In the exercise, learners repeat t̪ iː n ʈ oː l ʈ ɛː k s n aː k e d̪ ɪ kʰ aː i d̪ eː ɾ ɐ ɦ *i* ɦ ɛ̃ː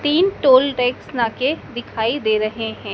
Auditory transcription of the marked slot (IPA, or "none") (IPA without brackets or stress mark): e